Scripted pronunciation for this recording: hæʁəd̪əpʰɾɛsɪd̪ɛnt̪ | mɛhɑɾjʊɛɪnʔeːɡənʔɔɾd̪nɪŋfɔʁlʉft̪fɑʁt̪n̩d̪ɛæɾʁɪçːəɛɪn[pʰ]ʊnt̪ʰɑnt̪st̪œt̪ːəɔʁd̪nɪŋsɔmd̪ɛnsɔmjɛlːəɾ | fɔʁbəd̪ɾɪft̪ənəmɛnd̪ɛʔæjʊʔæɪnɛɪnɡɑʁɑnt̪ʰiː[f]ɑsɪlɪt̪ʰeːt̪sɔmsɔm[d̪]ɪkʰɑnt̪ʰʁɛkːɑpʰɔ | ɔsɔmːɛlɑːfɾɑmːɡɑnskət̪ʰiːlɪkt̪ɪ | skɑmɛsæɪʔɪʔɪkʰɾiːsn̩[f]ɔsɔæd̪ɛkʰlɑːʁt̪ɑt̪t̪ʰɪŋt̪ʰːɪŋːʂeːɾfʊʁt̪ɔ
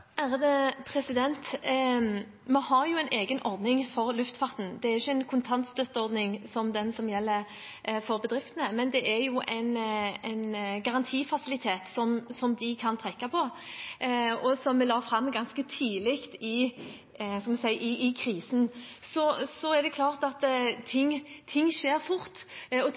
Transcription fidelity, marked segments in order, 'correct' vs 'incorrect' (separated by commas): incorrect, correct, correct, incorrect